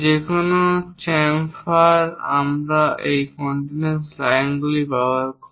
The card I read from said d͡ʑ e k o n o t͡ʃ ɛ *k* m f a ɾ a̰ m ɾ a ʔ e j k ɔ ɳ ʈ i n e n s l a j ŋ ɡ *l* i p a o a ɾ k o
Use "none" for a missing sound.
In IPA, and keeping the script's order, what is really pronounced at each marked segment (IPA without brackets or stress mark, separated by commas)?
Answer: none, l